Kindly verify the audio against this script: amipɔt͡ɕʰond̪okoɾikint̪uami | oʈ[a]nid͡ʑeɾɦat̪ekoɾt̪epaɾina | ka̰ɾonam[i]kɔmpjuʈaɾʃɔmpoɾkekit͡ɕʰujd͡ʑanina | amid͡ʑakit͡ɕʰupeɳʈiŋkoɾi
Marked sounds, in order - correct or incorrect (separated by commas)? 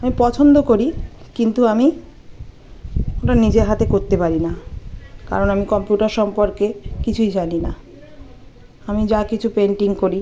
correct, correct